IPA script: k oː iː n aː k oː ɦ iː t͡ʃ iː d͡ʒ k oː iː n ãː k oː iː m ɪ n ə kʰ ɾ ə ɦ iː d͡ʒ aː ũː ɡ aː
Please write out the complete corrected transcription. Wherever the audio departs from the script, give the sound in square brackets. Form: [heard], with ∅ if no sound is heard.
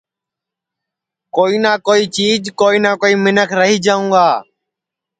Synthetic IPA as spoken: k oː iː n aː k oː [∅] iː t͡ʃ iː d͡ʒ k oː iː n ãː k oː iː m ɪ n ə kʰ ɾ ə ɦ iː d͡ʒ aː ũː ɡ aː